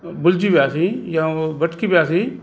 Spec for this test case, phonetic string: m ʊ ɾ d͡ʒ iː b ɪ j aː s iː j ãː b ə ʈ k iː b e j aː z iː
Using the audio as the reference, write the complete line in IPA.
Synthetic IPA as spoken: b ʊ l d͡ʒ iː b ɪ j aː s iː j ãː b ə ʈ k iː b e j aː s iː